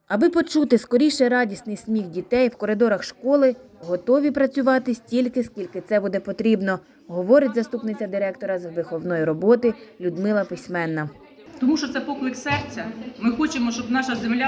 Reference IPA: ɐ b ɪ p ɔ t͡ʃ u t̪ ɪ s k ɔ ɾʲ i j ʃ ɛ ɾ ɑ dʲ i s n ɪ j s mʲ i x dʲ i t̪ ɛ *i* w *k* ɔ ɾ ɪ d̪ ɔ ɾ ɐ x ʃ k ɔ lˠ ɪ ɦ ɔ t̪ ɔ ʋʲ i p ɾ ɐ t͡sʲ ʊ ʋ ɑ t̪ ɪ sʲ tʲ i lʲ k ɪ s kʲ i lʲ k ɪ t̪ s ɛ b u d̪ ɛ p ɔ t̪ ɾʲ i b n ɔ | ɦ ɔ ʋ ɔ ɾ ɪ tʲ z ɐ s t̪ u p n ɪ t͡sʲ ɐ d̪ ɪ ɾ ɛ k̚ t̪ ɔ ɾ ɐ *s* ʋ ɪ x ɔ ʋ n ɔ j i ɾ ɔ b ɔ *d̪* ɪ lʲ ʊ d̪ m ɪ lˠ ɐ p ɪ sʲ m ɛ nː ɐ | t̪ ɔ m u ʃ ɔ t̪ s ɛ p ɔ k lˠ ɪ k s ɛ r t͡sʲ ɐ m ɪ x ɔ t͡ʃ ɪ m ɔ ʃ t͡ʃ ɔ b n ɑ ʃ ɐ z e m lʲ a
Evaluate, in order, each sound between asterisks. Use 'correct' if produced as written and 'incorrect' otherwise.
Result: incorrect, correct, incorrect, incorrect

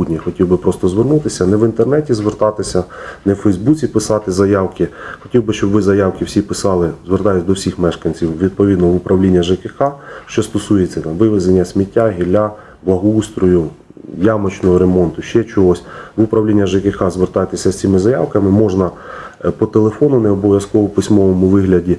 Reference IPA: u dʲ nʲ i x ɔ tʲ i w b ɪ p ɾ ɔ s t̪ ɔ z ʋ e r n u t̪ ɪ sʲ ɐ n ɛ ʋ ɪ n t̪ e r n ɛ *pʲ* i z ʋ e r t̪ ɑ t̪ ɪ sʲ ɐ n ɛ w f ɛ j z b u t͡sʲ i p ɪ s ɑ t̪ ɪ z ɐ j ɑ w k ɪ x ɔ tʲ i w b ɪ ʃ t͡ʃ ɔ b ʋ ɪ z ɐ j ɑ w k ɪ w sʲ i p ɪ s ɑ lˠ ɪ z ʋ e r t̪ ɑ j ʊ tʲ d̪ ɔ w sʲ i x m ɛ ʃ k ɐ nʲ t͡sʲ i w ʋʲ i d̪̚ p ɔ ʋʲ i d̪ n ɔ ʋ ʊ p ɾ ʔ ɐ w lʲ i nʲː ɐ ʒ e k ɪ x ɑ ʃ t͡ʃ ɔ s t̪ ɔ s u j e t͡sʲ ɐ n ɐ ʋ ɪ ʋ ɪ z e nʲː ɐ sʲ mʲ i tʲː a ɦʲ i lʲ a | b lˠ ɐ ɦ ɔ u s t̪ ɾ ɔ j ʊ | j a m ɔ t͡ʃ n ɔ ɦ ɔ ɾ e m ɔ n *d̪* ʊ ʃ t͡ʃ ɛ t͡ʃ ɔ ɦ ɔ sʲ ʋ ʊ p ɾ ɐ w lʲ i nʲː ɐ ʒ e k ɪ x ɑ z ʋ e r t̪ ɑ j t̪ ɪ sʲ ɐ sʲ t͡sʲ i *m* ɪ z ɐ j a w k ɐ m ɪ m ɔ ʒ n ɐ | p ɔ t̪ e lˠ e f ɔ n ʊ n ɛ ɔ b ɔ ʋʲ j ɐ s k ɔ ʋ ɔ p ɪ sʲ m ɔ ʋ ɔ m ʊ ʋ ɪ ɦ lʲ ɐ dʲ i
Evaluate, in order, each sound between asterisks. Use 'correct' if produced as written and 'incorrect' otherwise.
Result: incorrect, incorrect, correct

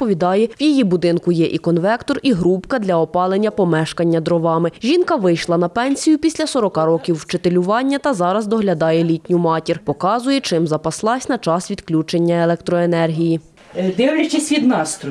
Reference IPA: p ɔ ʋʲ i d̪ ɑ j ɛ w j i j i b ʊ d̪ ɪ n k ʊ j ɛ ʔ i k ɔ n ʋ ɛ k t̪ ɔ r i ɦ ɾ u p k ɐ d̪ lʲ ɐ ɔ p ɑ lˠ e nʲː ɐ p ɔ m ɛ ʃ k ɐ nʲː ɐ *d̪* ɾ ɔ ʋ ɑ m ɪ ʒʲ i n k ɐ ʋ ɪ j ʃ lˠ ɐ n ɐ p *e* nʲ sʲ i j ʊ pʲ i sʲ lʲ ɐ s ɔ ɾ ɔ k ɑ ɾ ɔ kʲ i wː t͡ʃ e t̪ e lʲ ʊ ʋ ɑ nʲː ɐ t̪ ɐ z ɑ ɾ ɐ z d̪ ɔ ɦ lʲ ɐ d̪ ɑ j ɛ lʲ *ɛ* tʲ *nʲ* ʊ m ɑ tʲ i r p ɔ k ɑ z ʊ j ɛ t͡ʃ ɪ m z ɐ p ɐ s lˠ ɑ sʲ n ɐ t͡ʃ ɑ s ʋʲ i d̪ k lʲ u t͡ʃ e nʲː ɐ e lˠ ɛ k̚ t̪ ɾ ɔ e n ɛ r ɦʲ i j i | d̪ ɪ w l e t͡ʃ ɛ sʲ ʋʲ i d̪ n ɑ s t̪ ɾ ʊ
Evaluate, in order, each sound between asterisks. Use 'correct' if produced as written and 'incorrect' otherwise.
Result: correct, incorrect, incorrect, correct

